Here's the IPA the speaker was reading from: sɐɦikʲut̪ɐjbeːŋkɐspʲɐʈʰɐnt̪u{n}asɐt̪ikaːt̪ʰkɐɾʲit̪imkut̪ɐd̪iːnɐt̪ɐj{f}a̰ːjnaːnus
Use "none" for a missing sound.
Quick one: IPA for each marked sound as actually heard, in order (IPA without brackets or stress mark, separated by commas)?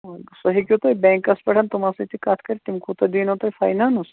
m, f